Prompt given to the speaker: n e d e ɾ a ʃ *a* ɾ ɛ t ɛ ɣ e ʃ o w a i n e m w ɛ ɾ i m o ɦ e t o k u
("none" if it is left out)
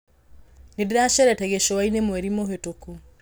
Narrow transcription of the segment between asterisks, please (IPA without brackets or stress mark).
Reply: ɛ